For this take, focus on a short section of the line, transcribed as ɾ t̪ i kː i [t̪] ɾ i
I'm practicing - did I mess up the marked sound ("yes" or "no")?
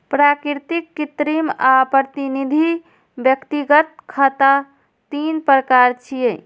no